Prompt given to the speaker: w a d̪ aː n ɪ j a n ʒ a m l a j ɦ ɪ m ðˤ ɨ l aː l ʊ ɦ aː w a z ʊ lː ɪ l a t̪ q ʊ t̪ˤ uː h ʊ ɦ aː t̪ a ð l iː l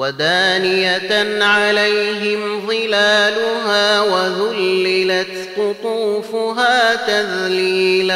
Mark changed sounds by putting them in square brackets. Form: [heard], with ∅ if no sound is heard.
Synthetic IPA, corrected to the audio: w a d̪ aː n ɪ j a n [ʕ] a [∅] l a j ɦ ɪ m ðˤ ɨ l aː l ʊ ɦ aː w a [ð] ʊ lː ɪ l a t̪ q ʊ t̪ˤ uː [f] ʊ ɦ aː t̪ a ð l iː l